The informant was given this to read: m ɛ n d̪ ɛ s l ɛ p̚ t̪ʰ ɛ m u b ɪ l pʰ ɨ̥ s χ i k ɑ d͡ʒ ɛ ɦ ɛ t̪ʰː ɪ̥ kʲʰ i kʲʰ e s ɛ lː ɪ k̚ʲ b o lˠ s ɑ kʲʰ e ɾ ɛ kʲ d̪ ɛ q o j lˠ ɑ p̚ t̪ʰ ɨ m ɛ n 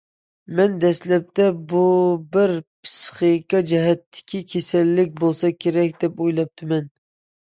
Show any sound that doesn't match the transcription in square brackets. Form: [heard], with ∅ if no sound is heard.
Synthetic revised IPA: m ɛ n d̪ ɛ s l ɛ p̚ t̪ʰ ɛ [b] u b ɪ [ɾ] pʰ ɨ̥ s χ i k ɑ d͡ʒ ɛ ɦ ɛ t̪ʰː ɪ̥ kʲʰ i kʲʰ e s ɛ lː ɪ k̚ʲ b o lˠ s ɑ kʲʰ e ɾ ɛ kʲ d̪ ɛ [p] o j lˠ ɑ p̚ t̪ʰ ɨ m ɛ n